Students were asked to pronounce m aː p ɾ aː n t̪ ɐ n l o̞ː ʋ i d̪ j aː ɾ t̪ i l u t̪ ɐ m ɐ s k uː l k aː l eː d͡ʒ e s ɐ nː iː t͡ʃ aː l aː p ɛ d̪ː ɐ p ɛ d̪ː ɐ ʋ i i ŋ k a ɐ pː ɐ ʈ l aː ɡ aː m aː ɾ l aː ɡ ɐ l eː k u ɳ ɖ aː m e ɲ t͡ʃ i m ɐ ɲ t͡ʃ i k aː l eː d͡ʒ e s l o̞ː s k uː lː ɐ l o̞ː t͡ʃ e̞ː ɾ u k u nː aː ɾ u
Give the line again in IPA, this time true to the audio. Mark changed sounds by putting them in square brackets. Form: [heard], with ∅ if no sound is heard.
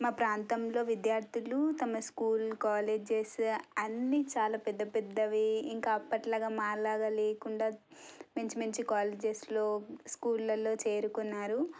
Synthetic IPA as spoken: m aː p ɾ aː n t̪ ɐ [m] l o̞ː ʋ i d̪ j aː ɾ t̪ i l u t̪ ɐ m ɐ s k uː l k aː l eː d͡ʒ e s ɐ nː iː t͡ʃ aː l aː p ɛ d̪ː ɐ p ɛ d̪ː ɐ ʋ i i ŋ k a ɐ pː ɐ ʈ l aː ɡ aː m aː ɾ l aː ɡ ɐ l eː k u ɳ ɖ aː m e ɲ t͡ʃ i m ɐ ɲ t͡ʃ i k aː l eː d͡ʒ e s l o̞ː s k uː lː ɐ l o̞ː t͡ʃ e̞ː ɾ u k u nː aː ɾ u

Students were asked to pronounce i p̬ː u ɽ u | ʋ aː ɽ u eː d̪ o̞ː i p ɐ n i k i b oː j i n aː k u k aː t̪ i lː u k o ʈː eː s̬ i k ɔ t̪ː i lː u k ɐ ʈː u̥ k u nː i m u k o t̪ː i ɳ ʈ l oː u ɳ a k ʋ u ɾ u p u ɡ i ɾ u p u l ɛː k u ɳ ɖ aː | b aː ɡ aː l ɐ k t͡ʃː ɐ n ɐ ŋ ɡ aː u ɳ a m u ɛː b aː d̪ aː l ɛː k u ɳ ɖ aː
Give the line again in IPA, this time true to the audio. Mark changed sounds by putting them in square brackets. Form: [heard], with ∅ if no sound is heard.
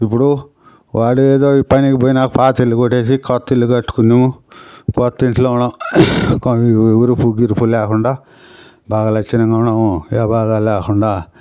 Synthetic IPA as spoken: i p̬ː u ɽ u | ʋ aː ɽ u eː d̪ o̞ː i p ɐ n i k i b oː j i n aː k u [p] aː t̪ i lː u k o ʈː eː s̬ i k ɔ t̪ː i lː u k ɐ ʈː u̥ k u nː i m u k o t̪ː i ɳ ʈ l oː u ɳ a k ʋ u ɾ u p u ɡ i ɾ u p u l ɛː k u ɳ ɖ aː | b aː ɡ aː l ɐ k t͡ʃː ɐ n ɐ ŋ ɡ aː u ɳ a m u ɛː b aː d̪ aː l ɛː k u ɳ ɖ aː

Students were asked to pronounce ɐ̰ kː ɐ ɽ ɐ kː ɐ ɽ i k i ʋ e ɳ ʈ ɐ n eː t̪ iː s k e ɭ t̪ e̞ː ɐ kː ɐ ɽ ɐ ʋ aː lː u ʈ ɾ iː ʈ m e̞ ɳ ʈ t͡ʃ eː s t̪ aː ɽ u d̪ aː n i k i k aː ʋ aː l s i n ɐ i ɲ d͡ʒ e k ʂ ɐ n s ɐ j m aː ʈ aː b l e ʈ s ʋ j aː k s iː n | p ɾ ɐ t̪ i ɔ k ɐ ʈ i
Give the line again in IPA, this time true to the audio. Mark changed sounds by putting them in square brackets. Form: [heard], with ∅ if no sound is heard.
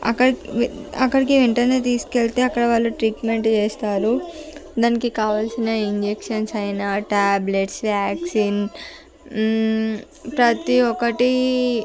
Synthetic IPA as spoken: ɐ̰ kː ɐ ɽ ɐ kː ɐ ɽ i k i ʋ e ɳ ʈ ɐ n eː t̪ iː s k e ɭ t̪ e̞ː ɐ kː ɐ ɽ ɐ ʋ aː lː u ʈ ɾ iː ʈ m e̞ ɳ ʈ t͡ʃ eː s t̪ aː [ɾ] u d̪ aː n i k i k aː ʋ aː l s i n ɐ i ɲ d͡ʒ e k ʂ ɐ n s ɐ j [n] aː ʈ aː b l e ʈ s ʋ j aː k s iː n | p ɾ ɐ t̪ i ɔ k ɐ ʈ i

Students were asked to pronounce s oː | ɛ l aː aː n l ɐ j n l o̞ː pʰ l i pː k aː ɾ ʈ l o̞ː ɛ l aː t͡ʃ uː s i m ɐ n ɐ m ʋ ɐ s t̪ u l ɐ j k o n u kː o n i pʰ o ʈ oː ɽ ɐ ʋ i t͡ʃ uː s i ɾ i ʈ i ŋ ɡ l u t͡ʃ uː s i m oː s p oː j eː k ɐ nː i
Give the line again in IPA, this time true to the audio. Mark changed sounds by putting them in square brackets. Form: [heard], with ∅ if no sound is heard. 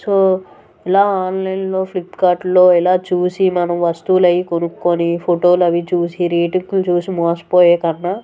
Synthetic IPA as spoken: s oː | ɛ l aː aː n l ɐ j n l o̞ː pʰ l i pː k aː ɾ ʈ l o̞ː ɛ l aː t͡ʃ uː s i m ɐ n ɐ m ʋ ɐ s t̪ u l ɐ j k o n u kː o n i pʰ o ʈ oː [l] ɐ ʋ i t͡ʃ uː s i ɾ [iː] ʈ i ŋ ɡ l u t͡ʃ uː s i m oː s p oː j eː k ɐ nː [a]

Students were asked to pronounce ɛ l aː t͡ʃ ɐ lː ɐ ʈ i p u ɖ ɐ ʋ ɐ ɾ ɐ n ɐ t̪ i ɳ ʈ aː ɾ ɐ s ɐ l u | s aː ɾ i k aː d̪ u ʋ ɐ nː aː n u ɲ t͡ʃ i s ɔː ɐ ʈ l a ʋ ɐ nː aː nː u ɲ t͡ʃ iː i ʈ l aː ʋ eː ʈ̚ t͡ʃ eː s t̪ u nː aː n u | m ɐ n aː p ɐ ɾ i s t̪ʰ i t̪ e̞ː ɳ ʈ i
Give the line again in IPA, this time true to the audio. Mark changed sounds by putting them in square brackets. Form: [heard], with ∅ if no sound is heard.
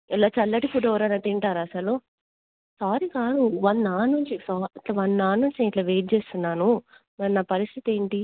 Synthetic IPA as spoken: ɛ l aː t͡ʃ ɐ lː ɐ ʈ i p u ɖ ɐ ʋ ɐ ɾ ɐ n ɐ t̪ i ɳ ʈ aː ɾ ɐ s ɐ l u | s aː ɾ i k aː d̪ u ʋ ɐ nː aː n u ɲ t͡ʃ i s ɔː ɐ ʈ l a ʋ ɐ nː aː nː u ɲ t͡ʃ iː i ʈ l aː ʋ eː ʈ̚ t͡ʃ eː s t̪ u nː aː n u | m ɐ n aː p ɐ ɾ i s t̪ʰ i t̪ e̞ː ɳ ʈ i

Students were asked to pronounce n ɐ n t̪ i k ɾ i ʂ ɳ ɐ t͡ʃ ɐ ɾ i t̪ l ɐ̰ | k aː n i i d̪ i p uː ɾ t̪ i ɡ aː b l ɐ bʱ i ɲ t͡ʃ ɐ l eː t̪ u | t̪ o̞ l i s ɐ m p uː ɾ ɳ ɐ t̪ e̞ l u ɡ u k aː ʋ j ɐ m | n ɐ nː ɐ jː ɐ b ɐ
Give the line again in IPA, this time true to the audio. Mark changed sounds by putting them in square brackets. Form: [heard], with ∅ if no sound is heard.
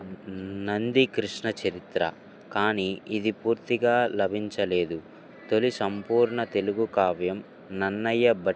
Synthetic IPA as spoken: n ɐ n [d̪] i k ɾ i ʂ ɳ ɐ t͡ʃ ɐ ɾ i t̪ [ɾ] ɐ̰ | k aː n i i d̪ i p uː ɾ t̪ i ɡ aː [∅] l ɐ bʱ i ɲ t͡ʃ ɐ l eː [d̪] u | t̪ o̞ l i s ɐ m p uː ɾ ɳ ɐ t̪ e̞ l u ɡ u k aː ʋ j ɐ m | n ɐ nː ɐ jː ɐ b ɐ

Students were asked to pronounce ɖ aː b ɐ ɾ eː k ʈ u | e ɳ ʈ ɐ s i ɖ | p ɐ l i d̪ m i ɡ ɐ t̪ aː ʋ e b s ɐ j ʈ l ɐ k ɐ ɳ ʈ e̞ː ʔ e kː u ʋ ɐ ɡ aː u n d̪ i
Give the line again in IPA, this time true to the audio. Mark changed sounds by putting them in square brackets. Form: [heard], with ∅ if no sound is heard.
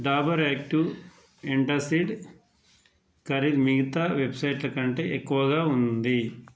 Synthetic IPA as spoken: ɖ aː b ɐ ɾ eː k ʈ u | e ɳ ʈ ɐ s i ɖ | [k] ɐ [ɾ] i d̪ m i ɡ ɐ t̪ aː ʋ e b s ɐ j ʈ l ɐ k ɐ ɳ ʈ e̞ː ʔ e kː u ʋ ɐ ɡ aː u n d̪ i

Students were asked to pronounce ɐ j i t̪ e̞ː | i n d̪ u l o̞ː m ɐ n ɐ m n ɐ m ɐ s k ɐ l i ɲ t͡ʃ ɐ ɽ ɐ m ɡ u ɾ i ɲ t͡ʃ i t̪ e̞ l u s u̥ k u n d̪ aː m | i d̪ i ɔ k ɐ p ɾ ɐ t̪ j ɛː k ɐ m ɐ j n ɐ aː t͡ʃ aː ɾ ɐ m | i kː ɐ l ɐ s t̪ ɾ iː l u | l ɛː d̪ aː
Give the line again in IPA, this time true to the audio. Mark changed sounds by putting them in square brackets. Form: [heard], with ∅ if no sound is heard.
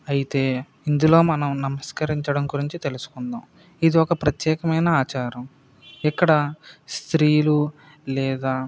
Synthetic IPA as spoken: ɐ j i t̪ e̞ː | i n d̪ u l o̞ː m ɐ n ɐ m n ɐ m ɐ s k ɐ [ɾ] i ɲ t͡ʃ ɐ ɽ ɐ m ɡ u ɾ i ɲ t͡ʃ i t̪ e̞ l u s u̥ k u n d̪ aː m | i d̪ i ɔ k ɐ p ɾ ɐ t̪ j ɛː k ɐ m ɐ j n ɐ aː t͡ʃ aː ɾ ɐ m | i kː ɐ [ɽ] ɐ s t̪ ɾ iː l u | l ɛː d̪ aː

